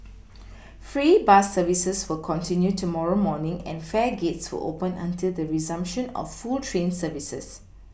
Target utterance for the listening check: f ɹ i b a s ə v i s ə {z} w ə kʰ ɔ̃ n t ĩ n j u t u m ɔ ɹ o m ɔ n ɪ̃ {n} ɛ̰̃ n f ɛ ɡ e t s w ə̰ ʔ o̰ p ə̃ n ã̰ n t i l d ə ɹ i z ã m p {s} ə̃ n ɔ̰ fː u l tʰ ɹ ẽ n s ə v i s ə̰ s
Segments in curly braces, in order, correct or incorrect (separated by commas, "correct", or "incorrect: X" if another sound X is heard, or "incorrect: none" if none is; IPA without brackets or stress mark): incorrect: s, incorrect: ŋ, incorrect: ʃ